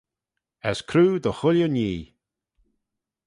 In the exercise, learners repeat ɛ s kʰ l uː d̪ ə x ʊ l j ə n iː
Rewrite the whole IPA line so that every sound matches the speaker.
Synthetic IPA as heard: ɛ s kʰ ɾ uː d̪ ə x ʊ l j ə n iː

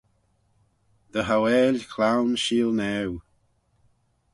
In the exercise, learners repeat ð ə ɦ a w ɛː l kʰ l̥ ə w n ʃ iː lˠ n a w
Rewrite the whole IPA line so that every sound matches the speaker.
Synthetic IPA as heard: ð ə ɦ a w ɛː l kʰ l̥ a w n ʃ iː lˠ n ɛ w

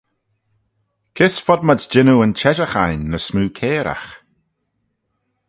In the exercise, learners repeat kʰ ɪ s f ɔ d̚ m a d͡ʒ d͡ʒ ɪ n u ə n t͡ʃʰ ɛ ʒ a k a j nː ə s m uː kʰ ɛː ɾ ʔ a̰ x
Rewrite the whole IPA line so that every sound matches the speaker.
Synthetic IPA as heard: kʰ ɪ s f ɔ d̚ m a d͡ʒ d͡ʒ ɪ n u ə n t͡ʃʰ ɛ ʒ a x a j nː ə s m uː kʰ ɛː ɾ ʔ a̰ x

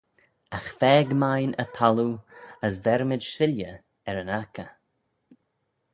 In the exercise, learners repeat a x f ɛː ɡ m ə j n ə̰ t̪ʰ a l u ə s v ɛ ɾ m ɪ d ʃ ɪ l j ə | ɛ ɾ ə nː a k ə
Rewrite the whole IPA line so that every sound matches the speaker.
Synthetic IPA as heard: a x f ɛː ɡ m a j n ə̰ t̪ʰ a l u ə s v ɛ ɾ m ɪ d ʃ ɪ l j ə | ɛ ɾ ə n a k ə

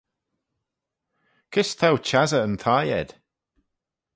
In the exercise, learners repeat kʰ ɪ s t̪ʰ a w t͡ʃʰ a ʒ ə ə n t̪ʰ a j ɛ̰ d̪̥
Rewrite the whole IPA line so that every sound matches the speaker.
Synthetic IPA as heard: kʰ ɪ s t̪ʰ a w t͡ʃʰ a z ə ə n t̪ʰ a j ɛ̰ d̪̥

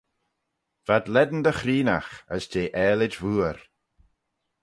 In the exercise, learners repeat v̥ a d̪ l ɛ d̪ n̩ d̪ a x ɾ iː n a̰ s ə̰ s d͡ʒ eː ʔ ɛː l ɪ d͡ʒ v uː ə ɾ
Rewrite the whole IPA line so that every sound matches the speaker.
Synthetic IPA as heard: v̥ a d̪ l ɛ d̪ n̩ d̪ ə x ɾ iː n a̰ x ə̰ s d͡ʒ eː ʔ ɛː l ɪ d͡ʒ v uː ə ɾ

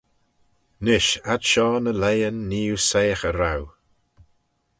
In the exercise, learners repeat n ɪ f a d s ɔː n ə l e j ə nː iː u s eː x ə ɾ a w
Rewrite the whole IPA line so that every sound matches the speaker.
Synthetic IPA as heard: n ɪ ʃ a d ʃ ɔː n ə l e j ə nː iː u s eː x ə ɾ a w

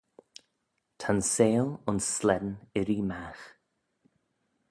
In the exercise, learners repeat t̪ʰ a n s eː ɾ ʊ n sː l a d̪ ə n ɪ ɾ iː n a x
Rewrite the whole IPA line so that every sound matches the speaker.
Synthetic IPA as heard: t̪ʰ a n s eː l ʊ n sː l ɛ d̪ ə n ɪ ɾ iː m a x

